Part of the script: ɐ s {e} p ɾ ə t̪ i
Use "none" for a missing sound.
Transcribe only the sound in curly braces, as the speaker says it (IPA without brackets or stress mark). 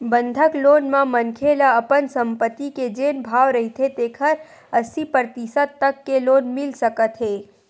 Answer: i